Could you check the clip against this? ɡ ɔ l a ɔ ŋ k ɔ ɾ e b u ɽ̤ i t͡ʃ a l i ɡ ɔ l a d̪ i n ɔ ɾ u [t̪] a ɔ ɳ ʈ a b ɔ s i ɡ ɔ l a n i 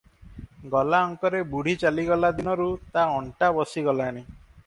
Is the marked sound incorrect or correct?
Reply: correct